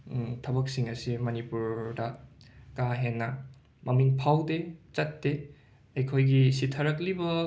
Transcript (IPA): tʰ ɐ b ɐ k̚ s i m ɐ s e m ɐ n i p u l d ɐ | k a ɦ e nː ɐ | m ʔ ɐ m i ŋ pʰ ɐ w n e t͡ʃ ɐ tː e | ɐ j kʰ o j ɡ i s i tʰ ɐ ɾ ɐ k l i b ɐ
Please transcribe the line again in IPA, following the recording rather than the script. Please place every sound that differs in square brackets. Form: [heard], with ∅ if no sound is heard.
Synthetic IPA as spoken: tʰ ɐ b ɐ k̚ s i [ŋ] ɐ s [i] m ɐ n i p u [ɾ] d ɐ | k a ɦ e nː ɐ | m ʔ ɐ m i ŋ pʰ [a] w [d] e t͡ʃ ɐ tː e | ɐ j kʰ o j ɡ i s i tʰ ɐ ɾ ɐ k l i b ɐ